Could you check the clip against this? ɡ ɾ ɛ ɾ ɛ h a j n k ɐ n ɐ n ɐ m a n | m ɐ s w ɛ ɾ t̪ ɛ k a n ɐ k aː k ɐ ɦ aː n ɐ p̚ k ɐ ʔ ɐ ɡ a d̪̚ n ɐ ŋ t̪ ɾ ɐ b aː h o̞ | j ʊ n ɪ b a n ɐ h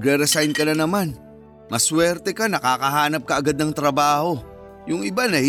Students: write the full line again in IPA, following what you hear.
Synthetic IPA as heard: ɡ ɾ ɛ ɾ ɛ s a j n k ɐ n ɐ n ɐ m a n | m ɐ s w ɛ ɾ t̪ ɛ k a n ɐ k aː k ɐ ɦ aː n ɐ p̚ k ɐ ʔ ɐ ɡ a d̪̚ n ɐ ŋ t̪ ɾ ɐ b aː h o̞ | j ʊ ŋ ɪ b a n ɐ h